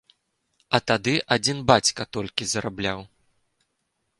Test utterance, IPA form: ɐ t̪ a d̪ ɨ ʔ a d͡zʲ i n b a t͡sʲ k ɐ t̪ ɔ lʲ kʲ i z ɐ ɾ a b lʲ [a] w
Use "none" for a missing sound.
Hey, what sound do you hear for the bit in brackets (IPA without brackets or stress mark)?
a